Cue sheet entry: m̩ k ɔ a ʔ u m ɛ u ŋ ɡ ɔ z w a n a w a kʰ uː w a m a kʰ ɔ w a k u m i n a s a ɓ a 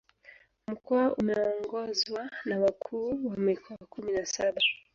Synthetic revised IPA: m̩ k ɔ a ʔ u m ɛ ɔ ŋ ɡ ɔ z w a n a w a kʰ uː w a m i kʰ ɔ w a k u m i n a s a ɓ a